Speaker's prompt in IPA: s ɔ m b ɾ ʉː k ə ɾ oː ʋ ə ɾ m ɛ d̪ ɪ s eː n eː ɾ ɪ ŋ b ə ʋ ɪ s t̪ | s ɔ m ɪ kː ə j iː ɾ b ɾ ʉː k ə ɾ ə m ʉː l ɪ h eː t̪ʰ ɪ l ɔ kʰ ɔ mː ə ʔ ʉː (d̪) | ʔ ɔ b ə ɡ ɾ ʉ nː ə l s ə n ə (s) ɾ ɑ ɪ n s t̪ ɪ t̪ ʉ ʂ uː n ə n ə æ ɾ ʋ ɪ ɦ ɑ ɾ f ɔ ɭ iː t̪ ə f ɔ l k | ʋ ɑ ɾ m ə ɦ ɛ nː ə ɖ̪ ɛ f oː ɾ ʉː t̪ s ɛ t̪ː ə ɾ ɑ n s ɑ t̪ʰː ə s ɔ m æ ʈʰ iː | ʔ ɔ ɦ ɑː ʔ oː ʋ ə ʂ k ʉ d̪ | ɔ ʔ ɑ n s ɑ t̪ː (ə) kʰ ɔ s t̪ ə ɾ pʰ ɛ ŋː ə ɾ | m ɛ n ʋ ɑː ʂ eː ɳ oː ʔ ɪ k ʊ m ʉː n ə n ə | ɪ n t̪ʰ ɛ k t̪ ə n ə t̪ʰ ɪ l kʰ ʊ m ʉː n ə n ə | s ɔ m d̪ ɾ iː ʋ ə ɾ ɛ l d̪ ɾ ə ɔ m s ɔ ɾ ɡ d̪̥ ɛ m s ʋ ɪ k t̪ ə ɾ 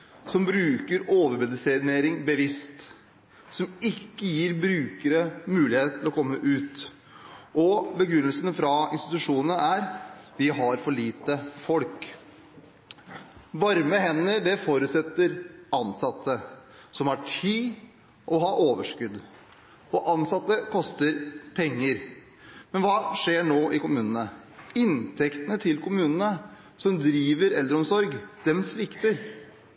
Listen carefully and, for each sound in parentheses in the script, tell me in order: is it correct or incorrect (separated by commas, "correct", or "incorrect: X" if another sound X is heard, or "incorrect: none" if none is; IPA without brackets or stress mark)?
incorrect: t̪, incorrect: f, correct